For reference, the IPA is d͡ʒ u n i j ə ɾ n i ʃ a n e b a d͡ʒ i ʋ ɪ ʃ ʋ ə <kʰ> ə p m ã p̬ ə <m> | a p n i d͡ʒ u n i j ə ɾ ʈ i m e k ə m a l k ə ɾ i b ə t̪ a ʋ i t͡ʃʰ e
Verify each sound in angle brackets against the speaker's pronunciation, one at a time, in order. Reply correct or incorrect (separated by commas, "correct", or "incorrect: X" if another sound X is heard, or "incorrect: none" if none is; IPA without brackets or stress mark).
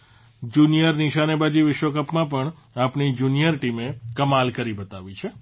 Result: incorrect: k, incorrect: ɳ